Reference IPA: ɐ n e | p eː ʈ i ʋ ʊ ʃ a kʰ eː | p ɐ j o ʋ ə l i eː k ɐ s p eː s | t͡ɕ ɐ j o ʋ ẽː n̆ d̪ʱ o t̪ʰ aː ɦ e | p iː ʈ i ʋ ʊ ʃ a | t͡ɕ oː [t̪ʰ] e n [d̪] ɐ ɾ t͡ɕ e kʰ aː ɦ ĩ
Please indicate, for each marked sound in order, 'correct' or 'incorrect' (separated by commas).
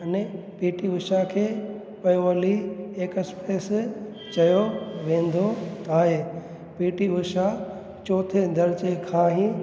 correct, correct